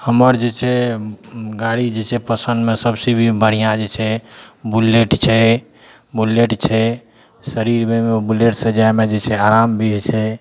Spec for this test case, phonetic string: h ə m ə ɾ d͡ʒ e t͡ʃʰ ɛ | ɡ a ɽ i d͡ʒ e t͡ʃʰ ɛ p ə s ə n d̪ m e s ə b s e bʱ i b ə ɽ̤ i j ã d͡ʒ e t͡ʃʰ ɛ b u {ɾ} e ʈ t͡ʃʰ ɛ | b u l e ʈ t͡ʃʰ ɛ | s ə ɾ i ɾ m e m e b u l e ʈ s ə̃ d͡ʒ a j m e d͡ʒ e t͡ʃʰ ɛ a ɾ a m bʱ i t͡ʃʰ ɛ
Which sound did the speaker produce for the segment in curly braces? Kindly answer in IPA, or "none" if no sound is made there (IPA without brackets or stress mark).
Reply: l